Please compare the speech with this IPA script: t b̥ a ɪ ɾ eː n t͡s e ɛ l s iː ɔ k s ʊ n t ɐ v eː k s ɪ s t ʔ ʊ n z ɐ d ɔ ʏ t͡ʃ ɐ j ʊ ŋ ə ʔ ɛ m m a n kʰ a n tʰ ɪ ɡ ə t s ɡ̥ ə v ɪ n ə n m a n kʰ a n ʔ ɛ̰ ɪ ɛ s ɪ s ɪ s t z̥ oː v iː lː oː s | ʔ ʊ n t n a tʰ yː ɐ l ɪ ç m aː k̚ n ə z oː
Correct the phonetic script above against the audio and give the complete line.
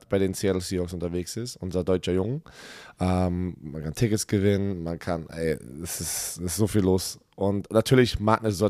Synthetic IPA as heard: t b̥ a ɪ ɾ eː n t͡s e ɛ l s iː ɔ k s ʊ n t ɐ v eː k s ɪ s t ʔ ʊ n z ɐ d ɔ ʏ t͡ʃ ɐ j ʊ ŋ ə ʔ ɛ m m a n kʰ a n tʰ ɪ k ə t s ɡ̥ ə v ɪ n ə n m a n kʰ a n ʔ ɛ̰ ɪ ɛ s ɪ s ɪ s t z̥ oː f iː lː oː s | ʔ ʊ n t n a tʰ yː ɐ l ɪ ç m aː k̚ n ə z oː